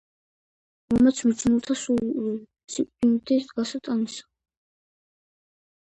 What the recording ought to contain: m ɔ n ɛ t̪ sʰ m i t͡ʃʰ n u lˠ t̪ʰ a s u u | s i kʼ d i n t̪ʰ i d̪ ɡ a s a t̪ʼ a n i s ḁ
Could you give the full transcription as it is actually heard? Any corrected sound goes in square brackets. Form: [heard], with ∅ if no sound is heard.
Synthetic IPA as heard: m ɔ [m] ɛ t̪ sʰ m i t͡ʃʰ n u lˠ t̪ʰ a s u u | s i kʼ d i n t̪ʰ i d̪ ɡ a s a t̪ʼ a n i s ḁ